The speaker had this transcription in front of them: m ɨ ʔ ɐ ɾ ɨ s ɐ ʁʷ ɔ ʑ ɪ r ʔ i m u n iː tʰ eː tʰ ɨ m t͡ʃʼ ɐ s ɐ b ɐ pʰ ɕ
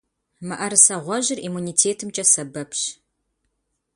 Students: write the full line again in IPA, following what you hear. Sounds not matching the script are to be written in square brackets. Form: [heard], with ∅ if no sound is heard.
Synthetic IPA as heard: m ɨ ʔ ɐ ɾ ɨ s ɐ ʁʷ ɔ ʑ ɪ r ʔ i m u n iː tʰ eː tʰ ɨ m t͡ʃʼ ɐ s ɐ b ɐ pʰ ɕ

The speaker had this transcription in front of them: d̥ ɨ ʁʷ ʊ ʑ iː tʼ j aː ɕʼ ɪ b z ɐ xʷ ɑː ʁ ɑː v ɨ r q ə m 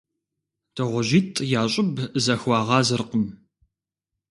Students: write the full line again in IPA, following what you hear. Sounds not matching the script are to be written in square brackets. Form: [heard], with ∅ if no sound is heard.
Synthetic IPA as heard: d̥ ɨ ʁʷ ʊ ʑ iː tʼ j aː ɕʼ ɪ b z ɐ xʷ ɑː ʁ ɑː [z] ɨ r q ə m

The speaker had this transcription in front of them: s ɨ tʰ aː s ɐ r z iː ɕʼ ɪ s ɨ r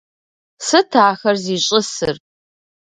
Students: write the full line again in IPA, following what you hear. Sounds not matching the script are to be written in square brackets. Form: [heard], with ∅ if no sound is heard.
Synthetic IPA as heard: s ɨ tʰ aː [x] ɐ r z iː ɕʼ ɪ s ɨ r

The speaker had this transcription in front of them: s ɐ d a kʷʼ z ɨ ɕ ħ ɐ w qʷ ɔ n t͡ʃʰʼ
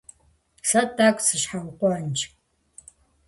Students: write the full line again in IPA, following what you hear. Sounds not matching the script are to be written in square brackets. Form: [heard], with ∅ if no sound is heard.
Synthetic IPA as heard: s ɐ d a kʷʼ [s] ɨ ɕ ħ [a] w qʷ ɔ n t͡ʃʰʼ

